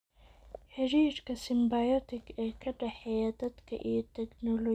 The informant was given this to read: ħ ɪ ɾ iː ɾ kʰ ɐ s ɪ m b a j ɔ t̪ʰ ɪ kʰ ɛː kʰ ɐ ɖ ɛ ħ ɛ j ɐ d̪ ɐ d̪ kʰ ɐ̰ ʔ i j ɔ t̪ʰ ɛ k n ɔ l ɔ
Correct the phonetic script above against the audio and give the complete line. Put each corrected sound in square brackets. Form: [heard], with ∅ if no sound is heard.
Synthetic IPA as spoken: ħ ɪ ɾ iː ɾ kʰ ɐ s ɪ m b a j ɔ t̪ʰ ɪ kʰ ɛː kʰ ɐ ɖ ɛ ħ ɛ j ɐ d̪ ɐ d̪ kʰ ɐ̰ ʔ i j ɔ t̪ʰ ɛ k n ɔ l ɔ